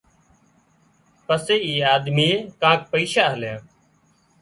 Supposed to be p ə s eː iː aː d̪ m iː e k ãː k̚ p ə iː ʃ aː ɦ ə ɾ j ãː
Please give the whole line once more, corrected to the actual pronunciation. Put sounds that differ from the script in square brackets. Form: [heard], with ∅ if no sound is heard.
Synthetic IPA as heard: p ə s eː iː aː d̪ m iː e k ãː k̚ p ə iː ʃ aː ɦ ə [l] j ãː

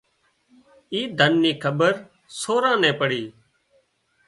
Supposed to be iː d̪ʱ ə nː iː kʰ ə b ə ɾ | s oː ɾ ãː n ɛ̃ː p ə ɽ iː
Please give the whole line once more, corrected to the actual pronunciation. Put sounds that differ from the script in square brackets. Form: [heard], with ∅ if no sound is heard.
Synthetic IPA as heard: iː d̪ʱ ə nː iː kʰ ə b ə ɾ | s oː ɾ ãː n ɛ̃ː p ə ɽ iː

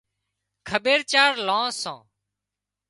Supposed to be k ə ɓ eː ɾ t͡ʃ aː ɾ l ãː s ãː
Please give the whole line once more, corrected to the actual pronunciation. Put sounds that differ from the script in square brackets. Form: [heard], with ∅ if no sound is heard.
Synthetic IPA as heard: [kʰ] ə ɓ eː ɾ t͡ʃ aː ɾ l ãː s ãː

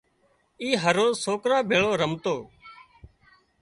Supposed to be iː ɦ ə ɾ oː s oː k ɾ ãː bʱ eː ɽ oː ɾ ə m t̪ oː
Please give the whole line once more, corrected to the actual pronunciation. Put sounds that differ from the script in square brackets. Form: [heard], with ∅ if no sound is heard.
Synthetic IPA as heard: iː ɦ ə ɾ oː s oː k ɾ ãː bʱ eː [ɭ] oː ɾ ə m t̪ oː

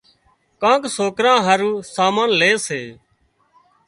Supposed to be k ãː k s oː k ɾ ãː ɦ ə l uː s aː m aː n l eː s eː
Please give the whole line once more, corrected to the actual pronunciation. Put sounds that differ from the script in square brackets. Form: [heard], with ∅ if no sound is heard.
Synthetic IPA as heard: k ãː k s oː k ɾ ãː ɦ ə [ɾ] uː s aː m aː n l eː s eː

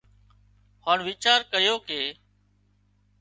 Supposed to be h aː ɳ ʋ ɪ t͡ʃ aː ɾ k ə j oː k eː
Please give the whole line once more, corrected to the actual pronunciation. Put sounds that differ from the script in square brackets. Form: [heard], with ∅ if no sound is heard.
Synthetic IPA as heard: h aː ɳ ʋ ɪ t͡ʃ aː ɾ k ə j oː k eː

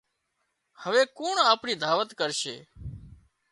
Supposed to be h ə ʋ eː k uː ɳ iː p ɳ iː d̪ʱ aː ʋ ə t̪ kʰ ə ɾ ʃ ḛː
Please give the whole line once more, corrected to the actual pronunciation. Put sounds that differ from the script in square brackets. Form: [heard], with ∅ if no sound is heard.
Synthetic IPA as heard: h ə ʋ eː k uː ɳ [aː] p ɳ iː d̪ʱ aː ʋ ə t̪ [k] ə ɾ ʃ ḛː

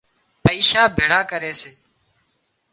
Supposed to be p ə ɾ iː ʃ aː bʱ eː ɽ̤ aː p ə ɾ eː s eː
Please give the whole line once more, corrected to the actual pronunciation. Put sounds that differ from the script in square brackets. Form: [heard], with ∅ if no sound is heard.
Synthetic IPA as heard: p ə [∅] iː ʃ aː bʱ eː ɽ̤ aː [k] ə ɾ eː s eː

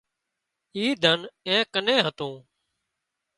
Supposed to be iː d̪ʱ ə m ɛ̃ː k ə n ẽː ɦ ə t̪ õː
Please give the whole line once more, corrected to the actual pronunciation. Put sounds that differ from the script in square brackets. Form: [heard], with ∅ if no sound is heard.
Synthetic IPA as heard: iː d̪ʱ ə [n] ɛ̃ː k ə n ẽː ɦ ə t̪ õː

